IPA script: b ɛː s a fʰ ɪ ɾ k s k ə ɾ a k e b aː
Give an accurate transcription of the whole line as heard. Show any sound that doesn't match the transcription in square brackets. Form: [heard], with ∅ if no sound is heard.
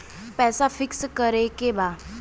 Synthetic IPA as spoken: [p] ɛː s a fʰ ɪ [∅] k s k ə ɾ [e] k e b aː